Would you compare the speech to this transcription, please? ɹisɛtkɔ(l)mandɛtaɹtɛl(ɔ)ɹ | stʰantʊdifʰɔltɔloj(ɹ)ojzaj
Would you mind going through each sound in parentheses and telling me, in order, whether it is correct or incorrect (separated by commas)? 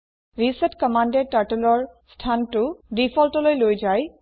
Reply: incorrect, correct, incorrect